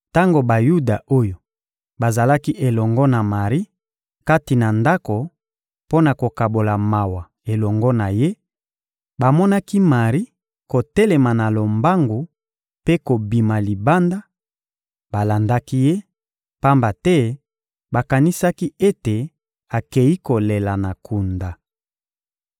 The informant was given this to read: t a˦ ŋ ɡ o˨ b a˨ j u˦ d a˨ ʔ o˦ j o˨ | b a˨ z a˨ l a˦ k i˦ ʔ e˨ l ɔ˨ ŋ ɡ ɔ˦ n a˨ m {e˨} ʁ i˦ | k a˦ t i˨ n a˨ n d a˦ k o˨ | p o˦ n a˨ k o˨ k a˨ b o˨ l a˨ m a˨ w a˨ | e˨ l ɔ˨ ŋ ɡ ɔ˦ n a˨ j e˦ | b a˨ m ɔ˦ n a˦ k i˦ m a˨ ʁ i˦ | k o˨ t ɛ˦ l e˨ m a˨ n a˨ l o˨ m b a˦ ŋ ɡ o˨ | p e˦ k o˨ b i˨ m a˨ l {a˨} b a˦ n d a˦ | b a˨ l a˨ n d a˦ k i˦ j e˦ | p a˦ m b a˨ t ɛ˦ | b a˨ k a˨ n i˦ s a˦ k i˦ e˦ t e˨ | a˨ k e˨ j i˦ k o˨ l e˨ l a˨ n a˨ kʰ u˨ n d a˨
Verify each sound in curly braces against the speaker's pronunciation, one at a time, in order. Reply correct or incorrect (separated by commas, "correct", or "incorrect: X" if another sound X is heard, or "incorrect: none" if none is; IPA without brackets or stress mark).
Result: incorrect: a˨, incorrect: i˨